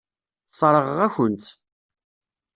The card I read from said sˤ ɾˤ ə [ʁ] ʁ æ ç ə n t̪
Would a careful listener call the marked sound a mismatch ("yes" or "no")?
no